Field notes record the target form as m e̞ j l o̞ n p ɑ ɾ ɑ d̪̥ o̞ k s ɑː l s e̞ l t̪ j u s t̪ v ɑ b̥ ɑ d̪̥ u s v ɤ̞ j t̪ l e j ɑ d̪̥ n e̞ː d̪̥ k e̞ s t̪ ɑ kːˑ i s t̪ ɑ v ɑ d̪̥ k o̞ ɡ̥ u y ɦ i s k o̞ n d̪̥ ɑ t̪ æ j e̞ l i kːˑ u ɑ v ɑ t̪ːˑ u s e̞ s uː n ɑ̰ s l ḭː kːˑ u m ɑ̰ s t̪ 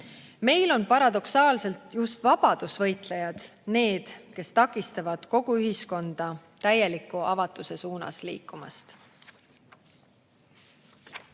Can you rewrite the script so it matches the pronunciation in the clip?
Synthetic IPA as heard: m e̞ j l o̞ n p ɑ ɾ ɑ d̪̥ o̞ k s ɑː l s e̞ l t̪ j u s t̪ v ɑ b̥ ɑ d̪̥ u s v ɤ̞ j t̪ l e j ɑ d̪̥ n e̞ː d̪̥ k e̞ s t̪ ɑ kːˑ i s t̪ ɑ v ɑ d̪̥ k o̞ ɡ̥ u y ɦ i s k o̞ n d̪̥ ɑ t̪ æ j e̞ l i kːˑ u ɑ v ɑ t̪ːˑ u s e̞ s uː n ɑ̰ s l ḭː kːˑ u m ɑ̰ s t̪